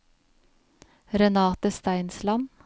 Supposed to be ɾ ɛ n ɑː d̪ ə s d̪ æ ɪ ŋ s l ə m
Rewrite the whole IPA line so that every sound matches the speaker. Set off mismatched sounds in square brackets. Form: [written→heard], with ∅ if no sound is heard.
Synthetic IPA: ɾ ɛ n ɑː [d̪→t̪] ə s [d̪→t̪] æ ɪ [ŋ→n] s l [ə→ɑ] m